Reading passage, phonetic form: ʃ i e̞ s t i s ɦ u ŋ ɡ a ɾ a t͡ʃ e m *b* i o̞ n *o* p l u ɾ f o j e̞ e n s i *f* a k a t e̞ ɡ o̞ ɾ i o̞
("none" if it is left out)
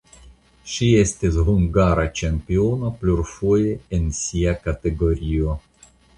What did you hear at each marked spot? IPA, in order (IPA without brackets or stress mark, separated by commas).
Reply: p, o, none